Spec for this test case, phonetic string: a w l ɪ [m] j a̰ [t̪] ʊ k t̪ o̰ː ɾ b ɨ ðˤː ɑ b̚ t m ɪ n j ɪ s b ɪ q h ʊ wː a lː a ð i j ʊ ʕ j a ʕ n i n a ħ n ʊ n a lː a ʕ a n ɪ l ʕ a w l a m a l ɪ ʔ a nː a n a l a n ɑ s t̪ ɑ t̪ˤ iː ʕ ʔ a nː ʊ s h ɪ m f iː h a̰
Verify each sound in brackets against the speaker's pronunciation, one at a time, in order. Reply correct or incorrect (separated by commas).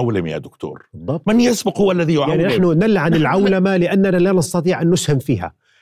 correct, incorrect